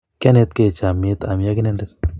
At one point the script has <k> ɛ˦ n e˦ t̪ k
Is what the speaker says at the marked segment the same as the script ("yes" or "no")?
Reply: yes